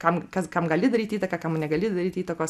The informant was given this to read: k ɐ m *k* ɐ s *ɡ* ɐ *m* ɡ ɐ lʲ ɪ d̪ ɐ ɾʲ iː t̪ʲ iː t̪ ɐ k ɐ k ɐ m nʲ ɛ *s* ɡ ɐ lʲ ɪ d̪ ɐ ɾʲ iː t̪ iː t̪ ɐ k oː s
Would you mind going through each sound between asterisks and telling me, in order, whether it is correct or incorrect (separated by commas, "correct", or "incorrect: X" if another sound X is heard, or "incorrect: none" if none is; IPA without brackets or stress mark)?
correct, incorrect: k, correct, incorrect: none